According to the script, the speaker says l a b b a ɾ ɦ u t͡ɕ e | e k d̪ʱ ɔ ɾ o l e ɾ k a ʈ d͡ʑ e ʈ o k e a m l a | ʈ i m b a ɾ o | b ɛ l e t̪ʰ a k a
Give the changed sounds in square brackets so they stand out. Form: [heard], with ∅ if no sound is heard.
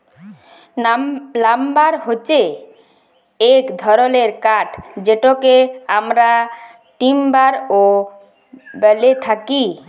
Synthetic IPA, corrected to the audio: l a [m] b a ɾ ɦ [o] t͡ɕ e | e k d̪ʱ ɔ ɾ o l e ɾ k a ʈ d͡ʑ e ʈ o k e a m [ɾ] a | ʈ i m b a ɾ o | b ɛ l e t̪ʰ a k [i]